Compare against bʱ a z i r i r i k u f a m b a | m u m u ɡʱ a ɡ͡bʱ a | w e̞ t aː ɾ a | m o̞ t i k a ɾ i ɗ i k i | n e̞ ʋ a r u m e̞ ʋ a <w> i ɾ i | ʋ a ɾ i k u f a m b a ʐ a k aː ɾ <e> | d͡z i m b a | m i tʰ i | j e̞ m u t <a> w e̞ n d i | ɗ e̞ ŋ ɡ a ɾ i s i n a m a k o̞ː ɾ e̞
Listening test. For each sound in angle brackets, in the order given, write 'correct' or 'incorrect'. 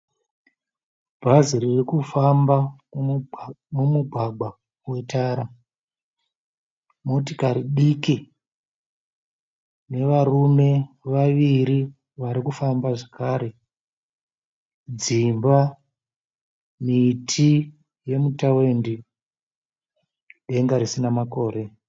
incorrect, correct, correct

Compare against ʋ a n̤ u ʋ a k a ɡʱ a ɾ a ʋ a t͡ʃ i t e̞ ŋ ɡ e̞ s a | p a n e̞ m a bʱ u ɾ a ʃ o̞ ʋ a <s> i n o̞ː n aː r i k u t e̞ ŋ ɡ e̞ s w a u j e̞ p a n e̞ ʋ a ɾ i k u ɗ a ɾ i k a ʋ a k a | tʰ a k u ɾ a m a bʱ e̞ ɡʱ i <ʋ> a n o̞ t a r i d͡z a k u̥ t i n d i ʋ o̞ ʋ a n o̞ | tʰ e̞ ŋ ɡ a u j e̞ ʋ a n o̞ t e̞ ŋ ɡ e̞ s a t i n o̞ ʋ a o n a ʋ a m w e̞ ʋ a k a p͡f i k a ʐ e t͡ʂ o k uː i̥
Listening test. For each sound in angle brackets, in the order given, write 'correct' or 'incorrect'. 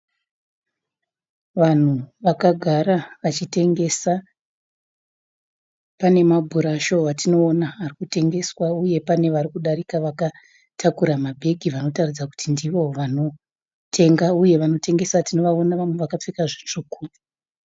incorrect, correct

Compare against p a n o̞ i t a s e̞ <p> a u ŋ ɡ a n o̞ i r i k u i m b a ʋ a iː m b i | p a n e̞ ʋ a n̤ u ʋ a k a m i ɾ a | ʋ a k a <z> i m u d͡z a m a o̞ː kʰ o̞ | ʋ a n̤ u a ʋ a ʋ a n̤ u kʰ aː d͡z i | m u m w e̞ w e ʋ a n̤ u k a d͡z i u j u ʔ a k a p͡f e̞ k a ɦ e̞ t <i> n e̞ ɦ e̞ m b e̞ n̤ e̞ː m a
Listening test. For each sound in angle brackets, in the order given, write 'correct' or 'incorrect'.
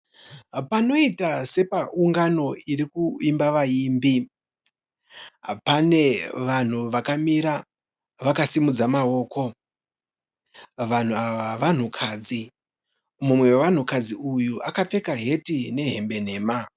correct, incorrect, correct

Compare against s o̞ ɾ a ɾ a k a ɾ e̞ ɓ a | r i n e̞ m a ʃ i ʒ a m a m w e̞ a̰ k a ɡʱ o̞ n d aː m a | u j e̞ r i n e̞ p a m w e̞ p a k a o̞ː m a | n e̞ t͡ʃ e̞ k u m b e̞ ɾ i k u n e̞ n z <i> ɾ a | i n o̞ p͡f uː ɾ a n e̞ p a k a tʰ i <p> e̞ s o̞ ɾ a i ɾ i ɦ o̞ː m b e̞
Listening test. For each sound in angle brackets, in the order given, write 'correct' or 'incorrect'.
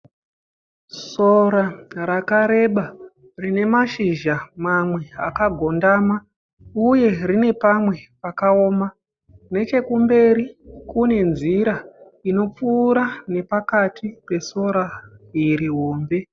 correct, correct

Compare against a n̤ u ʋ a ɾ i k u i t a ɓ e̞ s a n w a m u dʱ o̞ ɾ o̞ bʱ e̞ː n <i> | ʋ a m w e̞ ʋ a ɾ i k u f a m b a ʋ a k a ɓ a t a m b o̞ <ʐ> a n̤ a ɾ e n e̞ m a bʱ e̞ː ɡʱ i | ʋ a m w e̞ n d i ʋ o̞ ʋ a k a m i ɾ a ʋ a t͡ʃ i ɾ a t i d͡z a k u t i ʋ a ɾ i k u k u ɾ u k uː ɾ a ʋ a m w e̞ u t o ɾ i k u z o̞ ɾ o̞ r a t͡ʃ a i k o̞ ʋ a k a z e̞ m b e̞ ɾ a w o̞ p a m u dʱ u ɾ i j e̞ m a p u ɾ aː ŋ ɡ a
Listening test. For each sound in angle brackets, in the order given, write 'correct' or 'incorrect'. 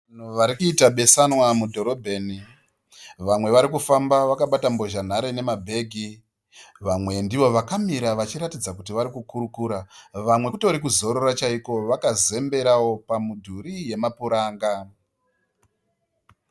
correct, incorrect

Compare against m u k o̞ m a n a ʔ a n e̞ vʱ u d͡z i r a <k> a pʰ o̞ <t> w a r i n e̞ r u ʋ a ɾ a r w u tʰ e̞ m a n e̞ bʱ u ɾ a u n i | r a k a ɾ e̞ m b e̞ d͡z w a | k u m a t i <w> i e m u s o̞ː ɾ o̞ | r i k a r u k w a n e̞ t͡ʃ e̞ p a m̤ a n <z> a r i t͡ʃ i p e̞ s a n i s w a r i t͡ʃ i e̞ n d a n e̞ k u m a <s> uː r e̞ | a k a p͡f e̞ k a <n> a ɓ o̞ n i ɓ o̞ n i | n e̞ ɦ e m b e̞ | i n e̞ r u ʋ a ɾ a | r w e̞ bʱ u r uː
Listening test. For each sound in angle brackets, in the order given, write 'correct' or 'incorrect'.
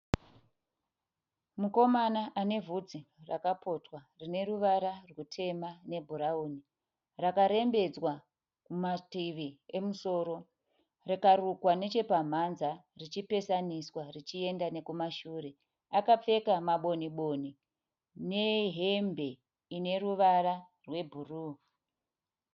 correct, correct, incorrect, correct, incorrect, incorrect

